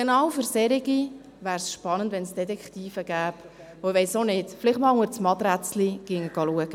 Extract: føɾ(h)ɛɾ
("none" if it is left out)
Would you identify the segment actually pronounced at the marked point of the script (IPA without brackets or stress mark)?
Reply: s